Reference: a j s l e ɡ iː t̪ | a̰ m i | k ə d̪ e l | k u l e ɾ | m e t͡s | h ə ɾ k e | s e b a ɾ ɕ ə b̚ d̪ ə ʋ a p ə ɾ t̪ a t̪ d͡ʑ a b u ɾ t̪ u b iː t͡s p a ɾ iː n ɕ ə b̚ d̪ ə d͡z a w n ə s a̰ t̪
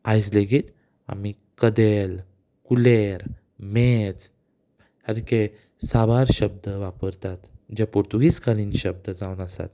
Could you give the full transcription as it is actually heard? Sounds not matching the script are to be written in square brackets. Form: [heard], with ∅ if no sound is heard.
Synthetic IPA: a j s l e ɡ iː t̪ | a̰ m i | k ə d̪ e l | k u l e ɾ | m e t͡s | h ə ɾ k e | s [a] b a ɾ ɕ ə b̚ d̪ ə ʋ a p ə ɾ t̪ a t̪ d͡ʑ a [p] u ɾ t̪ u [ɡ] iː t͡s [k] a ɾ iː n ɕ ə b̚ d̪ ə d͡z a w n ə s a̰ t̪